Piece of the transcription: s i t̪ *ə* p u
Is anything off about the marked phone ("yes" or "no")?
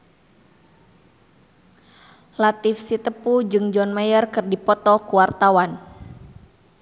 no